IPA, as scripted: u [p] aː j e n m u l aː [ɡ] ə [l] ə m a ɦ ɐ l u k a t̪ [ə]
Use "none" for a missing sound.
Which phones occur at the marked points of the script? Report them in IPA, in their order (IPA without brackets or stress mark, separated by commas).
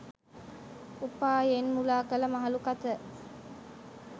p, k, l, ə